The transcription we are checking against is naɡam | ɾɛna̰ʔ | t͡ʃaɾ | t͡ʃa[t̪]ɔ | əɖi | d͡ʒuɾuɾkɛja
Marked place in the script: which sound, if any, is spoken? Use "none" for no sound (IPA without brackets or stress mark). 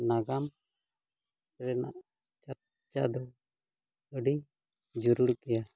d̪